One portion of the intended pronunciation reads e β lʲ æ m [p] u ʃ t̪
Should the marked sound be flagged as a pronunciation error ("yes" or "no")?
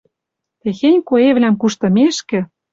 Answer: yes